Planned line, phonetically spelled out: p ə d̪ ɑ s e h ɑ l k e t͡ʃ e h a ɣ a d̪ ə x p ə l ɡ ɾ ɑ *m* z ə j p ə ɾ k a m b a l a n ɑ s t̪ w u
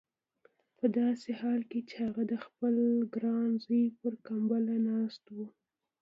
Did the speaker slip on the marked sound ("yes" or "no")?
yes